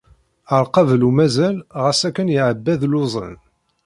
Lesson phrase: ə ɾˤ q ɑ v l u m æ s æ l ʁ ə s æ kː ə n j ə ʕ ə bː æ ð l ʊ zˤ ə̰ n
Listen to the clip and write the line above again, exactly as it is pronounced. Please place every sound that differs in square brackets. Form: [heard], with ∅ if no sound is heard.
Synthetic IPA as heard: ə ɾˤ q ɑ v l u m æ [z] æ l ʁ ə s æ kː ə n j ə ʕ ə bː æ ð l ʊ zˤ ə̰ n